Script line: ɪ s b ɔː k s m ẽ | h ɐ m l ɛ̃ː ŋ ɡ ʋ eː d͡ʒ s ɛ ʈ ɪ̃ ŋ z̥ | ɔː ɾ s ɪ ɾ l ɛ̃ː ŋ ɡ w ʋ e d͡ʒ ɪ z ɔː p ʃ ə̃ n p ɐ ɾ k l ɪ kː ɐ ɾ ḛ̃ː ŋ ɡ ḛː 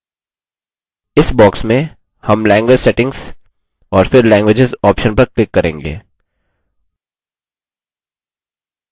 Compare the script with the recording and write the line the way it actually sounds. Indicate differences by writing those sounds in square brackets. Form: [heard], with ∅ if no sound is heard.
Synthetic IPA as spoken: ɪ s b ɔː k s m ẽ | h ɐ m l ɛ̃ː ŋ ɡ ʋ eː d͡ʒ s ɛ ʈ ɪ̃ ŋ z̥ | ɔː ɾ [f] ɪ ɾ l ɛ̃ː ŋ ɡ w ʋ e d͡ʒ ɪ z ɔː p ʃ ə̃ n p ɐ ɾ k l ɪ kː ɐ ɾ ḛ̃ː ŋ ɡ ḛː